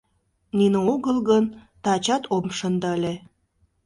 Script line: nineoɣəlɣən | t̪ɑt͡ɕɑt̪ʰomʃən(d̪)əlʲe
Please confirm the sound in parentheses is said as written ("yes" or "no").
yes